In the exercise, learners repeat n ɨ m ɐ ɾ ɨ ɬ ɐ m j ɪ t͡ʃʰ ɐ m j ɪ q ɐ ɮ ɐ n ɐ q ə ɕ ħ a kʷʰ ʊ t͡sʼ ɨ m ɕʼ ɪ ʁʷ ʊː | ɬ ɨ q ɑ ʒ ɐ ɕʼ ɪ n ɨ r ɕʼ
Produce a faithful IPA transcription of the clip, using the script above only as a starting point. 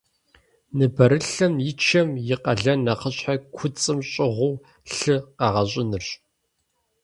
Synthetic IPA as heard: n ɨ b ɐ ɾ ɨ ɬ ɐ m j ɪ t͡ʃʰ ɐ m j ɪ q ɐ ɮ ɐ n ɐ q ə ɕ ħ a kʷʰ ʊ t͡sʼ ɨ m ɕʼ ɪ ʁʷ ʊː | ɬ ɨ q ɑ ʁ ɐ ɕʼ ɪ n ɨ r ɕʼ